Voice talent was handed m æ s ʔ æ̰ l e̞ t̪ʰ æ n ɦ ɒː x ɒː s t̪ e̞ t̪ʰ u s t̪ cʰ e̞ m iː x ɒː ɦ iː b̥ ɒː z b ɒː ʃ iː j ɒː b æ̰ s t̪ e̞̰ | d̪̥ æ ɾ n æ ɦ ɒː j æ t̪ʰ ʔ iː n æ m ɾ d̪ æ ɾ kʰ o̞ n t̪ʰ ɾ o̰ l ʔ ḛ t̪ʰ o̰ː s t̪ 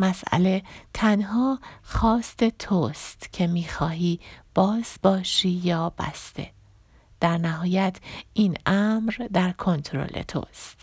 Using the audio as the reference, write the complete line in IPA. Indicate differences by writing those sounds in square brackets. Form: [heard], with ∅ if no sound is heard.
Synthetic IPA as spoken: m æ s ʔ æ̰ l e̞ t̪ʰ æ n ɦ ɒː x ɒː s t̪ e̞ t̪ʰ [o] s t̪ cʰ e̞ m iː x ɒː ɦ iː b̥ ɒː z b ɒː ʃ iː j ɒː b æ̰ s t̪ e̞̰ | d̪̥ æ ɾ n æ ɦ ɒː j æ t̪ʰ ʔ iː n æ m ɾ d̪ æ ɾ kʰ o̞ n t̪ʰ ɾ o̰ l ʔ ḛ t̪ʰ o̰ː s t̪